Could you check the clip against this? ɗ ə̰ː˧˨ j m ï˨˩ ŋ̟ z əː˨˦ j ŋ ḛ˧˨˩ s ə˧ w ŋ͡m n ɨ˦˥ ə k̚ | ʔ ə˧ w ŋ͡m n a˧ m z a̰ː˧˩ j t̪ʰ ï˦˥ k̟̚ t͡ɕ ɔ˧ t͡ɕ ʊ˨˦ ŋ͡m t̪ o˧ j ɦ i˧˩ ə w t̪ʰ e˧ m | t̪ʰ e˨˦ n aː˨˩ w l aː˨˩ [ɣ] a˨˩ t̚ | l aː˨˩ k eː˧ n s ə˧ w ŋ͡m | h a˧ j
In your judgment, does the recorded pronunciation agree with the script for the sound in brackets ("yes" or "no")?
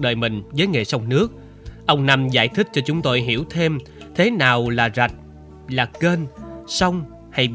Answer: no